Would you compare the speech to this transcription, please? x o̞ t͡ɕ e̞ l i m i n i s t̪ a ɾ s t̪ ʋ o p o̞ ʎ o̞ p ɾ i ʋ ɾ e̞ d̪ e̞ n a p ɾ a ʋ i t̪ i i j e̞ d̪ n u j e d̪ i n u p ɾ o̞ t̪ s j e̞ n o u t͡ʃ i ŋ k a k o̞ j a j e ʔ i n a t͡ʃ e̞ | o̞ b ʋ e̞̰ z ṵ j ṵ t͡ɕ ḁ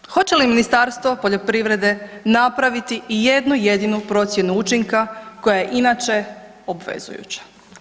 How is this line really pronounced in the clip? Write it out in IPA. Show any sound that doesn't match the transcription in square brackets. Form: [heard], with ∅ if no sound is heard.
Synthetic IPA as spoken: x o̞ t͡ɕ e̞ l i m i n i s t̪ a ɾ s t̪ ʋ o p o̞ ʎ o̞ p ɾ i ʋ ɾ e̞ d̪ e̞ n a p ɾ a ʋ i t̪ i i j e̞ d̪ n u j e d̪ i n u p ɾ o̞ t̪ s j e̞ n [u] u t͡ʃ i ŋ k a k o̞ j a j e ʔ i n a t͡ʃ e̞ | o̞ b ʋ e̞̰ z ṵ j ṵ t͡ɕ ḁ